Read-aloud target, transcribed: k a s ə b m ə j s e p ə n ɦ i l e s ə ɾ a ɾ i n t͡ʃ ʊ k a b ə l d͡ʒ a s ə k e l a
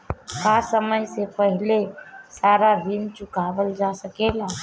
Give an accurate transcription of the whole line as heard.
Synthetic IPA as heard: k a s ə m ə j s e p ə ɦ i l e s a ɾ a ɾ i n t͡ʃ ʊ k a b ə l d͡ʒ a s ə k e l a

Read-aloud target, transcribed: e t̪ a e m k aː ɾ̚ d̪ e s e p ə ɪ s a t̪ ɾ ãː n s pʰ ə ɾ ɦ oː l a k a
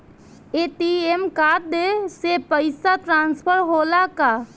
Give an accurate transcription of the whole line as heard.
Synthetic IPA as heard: e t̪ i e m k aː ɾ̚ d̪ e s e p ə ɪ s a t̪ ɾ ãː n s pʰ ə ɾ ɦ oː l a k a

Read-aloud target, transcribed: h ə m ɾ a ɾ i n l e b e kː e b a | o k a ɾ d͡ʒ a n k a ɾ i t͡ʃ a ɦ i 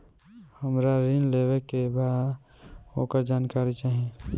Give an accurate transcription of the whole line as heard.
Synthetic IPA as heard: h ə m ɾ a ɾ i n l e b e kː e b a | o k ə ɾ d͡ʒ a n k a ɾ i t͡ʃ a ɦ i

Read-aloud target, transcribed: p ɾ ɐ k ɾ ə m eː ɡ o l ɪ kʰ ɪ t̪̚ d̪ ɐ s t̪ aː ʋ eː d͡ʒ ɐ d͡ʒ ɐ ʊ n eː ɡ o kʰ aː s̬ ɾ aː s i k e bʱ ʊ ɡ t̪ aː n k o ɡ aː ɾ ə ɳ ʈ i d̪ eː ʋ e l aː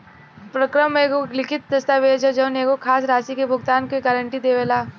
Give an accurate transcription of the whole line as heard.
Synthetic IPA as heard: p ɾ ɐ k ɾ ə m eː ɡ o l ɪ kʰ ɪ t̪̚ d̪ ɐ s t̪ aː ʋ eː d͡ʒ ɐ d͡ʒ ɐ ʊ n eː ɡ o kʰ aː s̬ ɾ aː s i k e bʱ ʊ ɡ t̪ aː n k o ɡ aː ɾ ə ɳ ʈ i d̪ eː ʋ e l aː

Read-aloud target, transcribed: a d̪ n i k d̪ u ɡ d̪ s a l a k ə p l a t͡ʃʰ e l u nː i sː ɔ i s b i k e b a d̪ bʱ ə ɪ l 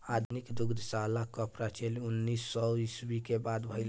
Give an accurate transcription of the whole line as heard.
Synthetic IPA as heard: a d̪ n i k d̪ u ɡ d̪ s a l a k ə p ɾ a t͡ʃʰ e l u nː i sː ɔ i s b i k e b a d̪ bʱ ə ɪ l

